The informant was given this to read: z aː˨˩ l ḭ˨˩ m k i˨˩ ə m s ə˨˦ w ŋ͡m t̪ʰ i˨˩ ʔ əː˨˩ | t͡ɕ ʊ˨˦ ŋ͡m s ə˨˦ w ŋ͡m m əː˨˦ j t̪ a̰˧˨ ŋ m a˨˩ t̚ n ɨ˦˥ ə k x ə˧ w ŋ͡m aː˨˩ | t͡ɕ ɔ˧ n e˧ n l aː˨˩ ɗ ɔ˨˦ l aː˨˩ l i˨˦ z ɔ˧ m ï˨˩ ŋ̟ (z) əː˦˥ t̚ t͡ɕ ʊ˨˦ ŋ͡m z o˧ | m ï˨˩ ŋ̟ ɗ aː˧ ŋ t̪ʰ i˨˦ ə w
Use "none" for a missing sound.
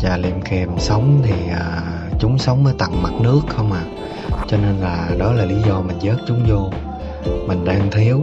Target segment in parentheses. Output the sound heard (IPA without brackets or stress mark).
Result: z